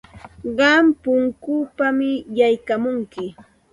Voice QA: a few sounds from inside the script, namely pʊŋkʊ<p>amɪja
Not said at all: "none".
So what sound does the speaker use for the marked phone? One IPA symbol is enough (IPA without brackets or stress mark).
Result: p